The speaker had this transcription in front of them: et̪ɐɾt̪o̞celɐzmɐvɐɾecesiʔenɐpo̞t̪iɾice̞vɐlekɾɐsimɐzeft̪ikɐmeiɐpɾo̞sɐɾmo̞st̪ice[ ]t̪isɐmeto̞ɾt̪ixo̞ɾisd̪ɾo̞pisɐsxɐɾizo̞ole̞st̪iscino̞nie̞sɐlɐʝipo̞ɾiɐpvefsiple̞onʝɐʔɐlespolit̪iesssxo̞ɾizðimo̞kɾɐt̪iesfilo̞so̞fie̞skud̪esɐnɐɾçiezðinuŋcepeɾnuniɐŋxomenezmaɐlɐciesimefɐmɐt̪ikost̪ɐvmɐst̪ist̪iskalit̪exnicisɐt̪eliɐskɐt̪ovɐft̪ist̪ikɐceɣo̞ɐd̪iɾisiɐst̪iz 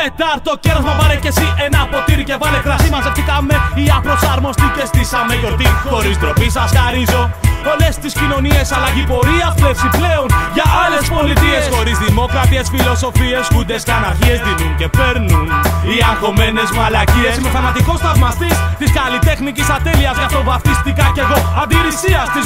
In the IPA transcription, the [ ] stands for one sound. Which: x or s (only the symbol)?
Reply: s